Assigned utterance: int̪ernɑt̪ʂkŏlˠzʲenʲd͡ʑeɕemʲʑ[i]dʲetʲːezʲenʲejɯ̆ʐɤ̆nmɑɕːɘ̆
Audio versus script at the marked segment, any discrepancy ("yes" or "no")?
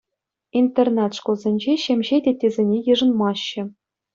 yes